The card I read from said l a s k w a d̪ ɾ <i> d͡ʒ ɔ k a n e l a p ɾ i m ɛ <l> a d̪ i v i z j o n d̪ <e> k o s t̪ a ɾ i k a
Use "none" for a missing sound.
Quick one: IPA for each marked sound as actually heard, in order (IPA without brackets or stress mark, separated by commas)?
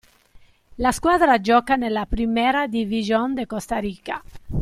a, ɾ, e